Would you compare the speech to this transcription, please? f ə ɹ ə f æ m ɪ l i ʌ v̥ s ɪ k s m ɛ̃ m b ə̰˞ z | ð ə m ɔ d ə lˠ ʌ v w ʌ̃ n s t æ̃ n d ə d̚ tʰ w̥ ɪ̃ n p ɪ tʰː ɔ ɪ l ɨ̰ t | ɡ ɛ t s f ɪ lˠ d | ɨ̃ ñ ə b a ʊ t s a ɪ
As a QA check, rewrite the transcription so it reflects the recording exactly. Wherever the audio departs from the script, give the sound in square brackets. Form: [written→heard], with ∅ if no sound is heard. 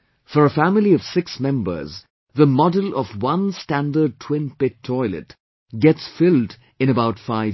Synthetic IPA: f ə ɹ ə f æ m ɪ l i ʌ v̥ s ɪ k s m ɛ̃ m b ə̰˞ z | ð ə m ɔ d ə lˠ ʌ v w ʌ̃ n s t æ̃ n d ə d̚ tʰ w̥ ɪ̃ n p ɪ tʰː ɔ ɪ l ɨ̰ t | ɡ ɛ t s f ɪ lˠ d | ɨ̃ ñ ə b a ʊ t [s→f] a ɪ